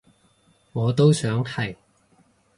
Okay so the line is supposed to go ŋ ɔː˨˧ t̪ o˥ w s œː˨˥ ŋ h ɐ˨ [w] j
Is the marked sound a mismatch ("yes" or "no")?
yes